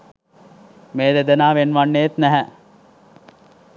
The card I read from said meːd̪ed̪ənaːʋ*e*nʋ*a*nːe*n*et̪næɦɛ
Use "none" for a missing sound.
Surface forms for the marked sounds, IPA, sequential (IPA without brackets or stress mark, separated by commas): e, a, none